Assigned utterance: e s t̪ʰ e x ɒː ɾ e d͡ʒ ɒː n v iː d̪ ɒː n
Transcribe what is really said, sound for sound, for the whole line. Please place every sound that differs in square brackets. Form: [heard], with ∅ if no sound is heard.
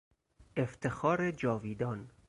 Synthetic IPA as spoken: e [f] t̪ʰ e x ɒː ɾ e d͡ʒ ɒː [∅] v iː d̪ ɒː n